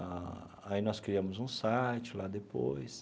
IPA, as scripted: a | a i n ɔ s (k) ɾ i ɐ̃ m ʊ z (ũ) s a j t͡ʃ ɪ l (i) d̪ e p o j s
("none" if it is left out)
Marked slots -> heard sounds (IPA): k, ũ, a

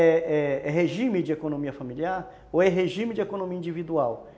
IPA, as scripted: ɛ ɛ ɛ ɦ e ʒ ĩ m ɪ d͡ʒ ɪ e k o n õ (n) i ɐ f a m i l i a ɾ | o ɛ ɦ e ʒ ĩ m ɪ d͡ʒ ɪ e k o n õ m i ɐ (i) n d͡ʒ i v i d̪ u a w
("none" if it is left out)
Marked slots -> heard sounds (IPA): m, ĩ

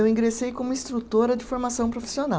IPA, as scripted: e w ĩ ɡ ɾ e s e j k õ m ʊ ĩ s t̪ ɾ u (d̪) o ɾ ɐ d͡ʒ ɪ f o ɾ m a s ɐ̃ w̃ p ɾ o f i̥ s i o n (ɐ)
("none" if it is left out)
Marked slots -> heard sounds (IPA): t̪, a

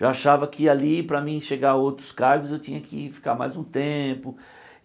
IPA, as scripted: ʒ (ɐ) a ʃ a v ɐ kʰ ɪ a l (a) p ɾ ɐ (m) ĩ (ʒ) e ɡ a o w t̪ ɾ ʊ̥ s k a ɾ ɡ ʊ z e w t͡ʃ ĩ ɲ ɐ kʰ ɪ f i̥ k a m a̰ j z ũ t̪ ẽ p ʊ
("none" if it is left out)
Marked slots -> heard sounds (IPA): a, i, m, ʃ

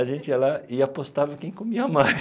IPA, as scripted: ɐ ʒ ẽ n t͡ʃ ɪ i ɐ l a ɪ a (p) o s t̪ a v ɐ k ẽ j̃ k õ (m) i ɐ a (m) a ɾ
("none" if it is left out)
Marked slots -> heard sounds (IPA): p, m, m

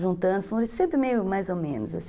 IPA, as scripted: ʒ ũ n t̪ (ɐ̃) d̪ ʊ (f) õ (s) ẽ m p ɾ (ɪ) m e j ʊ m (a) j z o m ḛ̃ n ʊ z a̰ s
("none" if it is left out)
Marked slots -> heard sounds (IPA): ɐ̃, f, s, ɪ, a

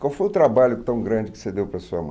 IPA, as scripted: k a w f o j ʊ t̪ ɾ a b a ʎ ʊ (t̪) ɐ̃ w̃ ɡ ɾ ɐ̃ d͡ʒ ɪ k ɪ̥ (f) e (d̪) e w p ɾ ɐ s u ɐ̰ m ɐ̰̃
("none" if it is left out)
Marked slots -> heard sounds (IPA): t̪, s, d̪

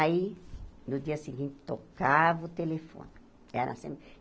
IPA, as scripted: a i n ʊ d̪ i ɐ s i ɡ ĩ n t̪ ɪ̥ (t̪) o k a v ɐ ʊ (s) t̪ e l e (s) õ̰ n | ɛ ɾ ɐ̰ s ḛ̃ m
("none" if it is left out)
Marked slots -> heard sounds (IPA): t̪, none, f

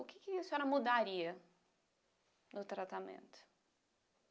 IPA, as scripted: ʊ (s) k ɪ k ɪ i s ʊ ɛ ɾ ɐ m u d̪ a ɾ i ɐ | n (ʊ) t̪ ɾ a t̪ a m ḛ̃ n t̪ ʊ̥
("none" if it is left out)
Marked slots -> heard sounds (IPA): none, ʊ

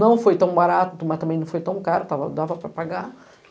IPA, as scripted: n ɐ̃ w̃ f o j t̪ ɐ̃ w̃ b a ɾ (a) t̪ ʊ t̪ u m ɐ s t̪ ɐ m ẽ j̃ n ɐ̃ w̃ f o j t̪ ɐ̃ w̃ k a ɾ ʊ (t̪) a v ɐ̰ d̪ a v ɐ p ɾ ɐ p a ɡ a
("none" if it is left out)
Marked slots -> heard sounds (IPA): a, t̪

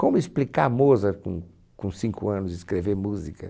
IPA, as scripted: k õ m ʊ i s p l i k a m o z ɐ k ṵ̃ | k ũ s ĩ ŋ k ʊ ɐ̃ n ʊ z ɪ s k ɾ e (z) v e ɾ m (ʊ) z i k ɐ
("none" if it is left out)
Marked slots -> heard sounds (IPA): none, u

